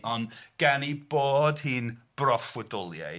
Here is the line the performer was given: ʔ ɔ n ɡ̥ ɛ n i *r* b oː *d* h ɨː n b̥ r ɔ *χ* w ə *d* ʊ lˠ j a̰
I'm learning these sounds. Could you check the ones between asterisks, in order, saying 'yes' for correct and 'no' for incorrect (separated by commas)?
no, yes, no, yes